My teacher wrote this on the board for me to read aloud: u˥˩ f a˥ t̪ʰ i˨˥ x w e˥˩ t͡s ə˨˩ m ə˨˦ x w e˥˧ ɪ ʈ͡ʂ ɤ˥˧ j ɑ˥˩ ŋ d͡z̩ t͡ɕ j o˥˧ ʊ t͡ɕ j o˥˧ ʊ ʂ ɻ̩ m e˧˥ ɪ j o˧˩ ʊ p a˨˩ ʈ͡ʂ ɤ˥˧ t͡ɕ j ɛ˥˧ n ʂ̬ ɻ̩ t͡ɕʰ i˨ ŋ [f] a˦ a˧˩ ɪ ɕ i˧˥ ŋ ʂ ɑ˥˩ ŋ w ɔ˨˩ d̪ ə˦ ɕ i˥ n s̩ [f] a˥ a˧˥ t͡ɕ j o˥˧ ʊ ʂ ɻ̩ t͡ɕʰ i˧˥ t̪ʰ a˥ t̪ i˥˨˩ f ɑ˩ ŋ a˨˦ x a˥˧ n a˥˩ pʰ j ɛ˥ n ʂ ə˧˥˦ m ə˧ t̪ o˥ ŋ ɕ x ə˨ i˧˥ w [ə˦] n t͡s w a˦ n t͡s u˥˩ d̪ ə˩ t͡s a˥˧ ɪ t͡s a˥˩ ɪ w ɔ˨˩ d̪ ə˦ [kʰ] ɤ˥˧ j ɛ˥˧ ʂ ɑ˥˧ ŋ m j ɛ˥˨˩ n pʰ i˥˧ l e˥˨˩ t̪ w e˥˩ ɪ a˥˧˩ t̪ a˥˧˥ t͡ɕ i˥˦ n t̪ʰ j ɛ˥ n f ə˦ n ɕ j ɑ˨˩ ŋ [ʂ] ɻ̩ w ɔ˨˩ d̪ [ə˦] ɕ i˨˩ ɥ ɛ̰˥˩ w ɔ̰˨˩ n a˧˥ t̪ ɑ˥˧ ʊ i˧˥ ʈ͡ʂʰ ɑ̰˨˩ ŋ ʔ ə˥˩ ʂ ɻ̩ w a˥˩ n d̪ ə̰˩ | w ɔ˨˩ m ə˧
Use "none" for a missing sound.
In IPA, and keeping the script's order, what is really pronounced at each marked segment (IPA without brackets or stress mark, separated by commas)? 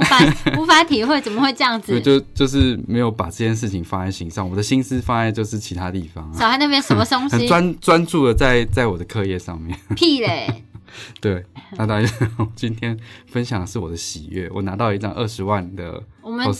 f, f, a˦, kʰ, ʂ, ə˦